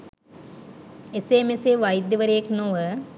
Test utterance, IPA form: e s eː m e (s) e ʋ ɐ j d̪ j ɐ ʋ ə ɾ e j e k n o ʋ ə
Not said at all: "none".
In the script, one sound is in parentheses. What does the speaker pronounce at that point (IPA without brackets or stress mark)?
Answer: s